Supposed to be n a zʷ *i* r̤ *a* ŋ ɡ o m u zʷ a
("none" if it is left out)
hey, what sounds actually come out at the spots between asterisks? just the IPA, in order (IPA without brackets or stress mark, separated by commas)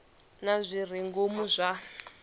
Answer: i, i